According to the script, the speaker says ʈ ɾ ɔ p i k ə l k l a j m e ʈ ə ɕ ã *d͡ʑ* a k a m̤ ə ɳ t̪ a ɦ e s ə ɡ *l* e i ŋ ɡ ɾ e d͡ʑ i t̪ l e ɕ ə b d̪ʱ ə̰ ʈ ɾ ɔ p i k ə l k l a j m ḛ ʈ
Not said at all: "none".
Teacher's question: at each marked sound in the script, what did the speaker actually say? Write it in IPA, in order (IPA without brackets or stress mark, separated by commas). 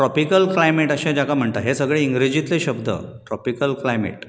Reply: d͡ʑ, ɭ